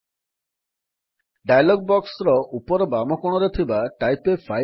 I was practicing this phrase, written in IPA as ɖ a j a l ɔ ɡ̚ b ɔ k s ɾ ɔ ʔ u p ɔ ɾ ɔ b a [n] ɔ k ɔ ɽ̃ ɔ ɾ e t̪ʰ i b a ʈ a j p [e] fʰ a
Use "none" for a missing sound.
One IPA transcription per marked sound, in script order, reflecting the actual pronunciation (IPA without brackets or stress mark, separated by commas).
m, e